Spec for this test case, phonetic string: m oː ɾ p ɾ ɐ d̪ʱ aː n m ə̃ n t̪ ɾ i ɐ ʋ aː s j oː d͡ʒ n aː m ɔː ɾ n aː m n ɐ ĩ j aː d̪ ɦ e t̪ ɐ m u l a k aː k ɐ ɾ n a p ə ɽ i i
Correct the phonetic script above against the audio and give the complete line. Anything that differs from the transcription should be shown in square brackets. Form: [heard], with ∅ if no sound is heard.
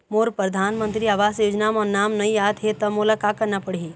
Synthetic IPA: m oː ɾ p ɾ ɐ d̪ʱ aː n m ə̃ n t̪ ɾ i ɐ ʋ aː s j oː d͡ʒ n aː m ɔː ɾ n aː m n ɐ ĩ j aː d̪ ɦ e t̪ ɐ m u l a k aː k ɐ ɾ n a p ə ɽ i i